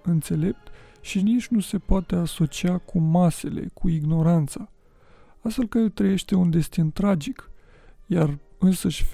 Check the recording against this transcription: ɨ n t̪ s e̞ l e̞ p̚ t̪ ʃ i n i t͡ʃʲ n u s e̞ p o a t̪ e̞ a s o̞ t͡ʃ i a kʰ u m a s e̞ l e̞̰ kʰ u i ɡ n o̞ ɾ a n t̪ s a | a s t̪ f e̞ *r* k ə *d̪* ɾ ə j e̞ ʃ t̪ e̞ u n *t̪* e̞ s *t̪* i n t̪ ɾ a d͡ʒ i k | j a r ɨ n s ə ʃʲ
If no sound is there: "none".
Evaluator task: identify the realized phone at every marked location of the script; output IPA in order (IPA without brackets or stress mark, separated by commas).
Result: l, t̪, d̪, t̪